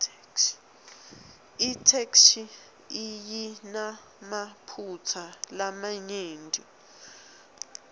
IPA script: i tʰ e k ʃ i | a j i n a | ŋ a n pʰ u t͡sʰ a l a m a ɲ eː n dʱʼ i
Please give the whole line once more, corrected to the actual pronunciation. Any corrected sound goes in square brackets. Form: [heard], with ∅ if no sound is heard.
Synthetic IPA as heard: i tʰ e k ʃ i | [i] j i n a | [m] a [∅] pʰ u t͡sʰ a l a m a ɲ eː n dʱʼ i